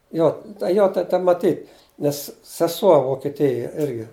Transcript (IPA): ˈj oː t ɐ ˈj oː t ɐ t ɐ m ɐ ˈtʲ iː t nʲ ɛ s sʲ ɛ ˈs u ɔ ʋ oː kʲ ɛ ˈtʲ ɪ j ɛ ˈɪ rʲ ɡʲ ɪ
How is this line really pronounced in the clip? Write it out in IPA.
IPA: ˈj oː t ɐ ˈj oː t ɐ t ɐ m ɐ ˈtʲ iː t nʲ ɛ s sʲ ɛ ˈs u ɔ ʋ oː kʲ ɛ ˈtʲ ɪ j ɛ ˈɪ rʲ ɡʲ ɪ